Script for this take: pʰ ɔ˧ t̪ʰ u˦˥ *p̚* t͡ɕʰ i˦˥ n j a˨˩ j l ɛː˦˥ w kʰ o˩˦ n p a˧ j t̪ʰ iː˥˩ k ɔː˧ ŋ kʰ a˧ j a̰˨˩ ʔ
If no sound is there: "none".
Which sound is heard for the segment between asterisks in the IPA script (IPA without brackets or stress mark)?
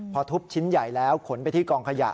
p̚